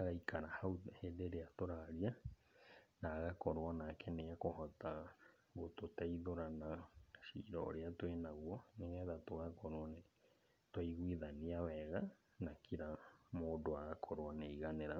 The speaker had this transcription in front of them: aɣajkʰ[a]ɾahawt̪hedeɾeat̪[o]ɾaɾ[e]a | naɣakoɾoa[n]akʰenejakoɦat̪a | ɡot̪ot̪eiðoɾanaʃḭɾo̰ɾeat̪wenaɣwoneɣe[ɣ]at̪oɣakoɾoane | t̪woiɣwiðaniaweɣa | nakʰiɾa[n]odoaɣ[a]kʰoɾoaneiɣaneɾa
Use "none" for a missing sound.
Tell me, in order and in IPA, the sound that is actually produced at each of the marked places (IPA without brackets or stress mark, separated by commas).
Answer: a, o, i, n, ð, m, a